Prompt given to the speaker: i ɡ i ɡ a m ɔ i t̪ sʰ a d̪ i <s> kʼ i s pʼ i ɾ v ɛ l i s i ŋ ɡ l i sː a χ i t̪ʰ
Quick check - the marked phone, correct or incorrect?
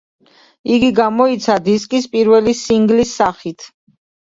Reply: correct